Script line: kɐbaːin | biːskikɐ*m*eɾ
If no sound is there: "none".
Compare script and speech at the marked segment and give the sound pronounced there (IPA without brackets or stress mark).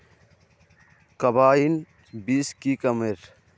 m